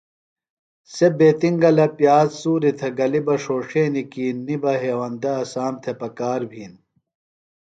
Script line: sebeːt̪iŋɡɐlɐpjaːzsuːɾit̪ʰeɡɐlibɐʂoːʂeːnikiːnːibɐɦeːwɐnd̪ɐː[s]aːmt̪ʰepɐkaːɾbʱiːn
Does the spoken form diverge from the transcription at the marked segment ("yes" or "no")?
no